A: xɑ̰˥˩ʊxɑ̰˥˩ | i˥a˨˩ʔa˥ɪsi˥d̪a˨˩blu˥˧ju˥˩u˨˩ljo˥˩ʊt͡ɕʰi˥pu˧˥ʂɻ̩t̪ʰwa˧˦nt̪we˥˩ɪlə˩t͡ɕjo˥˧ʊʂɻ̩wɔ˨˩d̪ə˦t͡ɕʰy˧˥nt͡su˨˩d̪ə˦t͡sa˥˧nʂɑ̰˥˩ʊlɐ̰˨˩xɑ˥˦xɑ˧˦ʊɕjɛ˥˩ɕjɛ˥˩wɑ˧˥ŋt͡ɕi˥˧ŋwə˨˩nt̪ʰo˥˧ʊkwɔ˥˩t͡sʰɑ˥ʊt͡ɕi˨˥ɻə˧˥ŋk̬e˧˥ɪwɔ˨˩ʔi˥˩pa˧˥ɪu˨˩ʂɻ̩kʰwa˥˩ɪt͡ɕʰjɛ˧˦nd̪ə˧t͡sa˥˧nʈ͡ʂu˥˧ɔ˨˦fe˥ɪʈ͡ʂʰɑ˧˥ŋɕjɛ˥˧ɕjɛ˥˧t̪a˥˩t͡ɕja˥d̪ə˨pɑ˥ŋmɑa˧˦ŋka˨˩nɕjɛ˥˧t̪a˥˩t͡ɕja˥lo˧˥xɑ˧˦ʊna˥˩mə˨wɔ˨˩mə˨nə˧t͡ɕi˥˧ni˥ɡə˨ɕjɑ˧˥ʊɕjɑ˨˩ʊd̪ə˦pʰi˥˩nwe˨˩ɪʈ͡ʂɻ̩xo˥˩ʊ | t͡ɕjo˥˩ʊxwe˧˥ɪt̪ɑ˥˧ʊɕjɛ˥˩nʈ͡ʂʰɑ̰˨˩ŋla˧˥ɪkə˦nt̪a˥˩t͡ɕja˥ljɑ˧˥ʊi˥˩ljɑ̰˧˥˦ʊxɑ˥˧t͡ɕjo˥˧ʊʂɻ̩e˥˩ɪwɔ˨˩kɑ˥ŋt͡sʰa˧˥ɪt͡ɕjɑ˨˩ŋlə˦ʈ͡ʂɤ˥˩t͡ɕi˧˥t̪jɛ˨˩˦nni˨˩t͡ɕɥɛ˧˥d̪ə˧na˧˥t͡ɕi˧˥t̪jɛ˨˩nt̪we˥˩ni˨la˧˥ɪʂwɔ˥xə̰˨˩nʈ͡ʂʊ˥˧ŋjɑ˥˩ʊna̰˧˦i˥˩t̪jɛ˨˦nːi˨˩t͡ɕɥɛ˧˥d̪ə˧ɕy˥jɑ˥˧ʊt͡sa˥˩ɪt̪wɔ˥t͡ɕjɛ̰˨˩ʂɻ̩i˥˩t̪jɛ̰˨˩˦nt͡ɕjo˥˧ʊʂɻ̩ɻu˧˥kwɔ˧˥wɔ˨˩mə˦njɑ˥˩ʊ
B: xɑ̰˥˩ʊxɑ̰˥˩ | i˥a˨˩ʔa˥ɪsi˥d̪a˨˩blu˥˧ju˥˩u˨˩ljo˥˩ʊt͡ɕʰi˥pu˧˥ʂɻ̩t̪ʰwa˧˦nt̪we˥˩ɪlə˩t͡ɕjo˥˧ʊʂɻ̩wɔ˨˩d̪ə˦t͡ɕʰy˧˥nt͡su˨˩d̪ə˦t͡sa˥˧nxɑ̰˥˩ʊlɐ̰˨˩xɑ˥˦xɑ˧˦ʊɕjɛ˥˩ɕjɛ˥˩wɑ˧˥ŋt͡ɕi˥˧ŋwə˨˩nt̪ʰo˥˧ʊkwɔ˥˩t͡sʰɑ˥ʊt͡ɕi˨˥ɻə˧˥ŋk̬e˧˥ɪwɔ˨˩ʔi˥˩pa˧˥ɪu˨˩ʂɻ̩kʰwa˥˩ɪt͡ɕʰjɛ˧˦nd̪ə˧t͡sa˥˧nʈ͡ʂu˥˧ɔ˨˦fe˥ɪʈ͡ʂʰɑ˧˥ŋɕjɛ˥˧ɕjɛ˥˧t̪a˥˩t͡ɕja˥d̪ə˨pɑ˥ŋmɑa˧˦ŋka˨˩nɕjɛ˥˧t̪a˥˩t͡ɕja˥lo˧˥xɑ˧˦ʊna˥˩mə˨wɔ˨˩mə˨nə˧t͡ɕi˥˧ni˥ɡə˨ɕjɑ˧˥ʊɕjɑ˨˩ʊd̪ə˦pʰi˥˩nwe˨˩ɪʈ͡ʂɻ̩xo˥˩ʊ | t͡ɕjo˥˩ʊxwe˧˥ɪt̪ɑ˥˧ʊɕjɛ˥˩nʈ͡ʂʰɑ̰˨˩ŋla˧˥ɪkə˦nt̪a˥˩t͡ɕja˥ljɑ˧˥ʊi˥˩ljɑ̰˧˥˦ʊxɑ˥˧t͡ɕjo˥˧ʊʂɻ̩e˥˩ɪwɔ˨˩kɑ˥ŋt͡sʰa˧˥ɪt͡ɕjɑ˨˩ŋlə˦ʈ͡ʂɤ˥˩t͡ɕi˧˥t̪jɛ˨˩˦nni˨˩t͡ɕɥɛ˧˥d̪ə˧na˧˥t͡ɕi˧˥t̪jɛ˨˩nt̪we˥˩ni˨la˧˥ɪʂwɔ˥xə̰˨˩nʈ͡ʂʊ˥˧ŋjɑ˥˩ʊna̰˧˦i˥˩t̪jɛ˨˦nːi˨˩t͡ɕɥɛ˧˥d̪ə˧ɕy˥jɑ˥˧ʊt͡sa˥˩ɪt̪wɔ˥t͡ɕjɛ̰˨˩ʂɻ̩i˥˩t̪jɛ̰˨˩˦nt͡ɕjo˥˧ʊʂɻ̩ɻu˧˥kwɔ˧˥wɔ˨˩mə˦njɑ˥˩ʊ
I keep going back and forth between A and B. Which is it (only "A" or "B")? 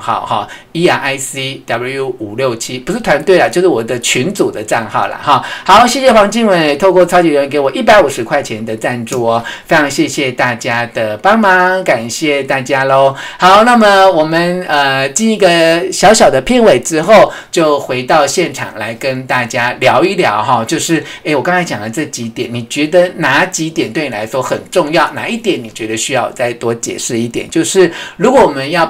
B